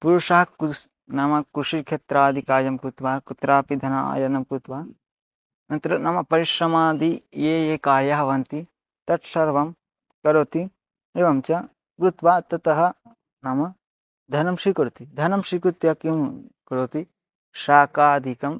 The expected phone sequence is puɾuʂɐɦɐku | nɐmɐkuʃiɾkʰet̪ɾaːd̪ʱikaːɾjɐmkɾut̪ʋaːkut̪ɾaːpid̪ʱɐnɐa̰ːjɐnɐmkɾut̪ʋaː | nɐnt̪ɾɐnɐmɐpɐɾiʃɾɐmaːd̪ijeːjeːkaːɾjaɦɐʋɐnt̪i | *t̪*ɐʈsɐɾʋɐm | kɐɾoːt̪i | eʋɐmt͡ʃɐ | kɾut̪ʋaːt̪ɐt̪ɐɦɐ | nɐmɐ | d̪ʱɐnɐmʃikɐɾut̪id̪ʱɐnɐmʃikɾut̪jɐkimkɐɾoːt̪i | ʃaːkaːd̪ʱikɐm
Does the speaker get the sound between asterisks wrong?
no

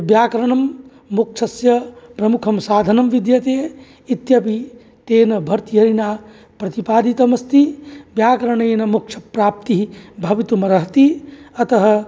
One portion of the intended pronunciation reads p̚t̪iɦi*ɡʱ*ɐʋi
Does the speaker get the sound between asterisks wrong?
yes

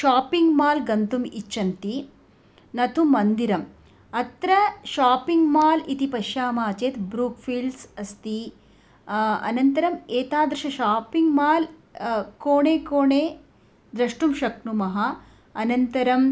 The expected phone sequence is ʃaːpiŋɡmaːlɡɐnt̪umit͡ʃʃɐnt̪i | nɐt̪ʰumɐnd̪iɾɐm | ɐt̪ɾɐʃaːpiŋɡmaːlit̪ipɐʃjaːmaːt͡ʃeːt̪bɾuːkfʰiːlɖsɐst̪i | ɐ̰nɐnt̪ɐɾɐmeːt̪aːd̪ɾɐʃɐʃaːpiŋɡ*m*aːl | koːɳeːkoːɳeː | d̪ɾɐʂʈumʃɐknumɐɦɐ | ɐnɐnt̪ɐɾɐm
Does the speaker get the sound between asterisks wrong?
no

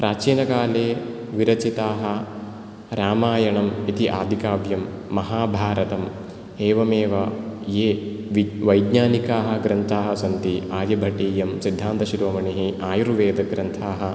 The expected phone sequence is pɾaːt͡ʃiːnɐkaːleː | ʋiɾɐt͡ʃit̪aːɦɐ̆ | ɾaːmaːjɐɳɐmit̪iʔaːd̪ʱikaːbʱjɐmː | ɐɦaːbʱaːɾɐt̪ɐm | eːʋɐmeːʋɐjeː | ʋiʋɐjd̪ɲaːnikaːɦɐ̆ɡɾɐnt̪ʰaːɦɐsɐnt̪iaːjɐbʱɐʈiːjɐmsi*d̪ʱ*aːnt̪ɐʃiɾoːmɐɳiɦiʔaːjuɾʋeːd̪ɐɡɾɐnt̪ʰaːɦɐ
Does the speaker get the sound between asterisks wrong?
yes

